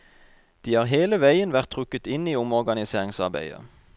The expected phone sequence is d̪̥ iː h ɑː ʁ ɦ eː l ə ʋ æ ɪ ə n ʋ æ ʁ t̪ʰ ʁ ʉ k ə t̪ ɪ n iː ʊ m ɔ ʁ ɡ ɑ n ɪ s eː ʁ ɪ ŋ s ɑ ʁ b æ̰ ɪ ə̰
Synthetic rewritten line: d̪̥ iː h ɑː ʁ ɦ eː l ə ʋ æ ɪ ə n ʋ æ ʁ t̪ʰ ʁ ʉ k ə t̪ ɪ n iː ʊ m ɔ ʁ ɡ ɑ n ɪ s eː ʁ ɪ ŋ s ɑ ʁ b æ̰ ɪ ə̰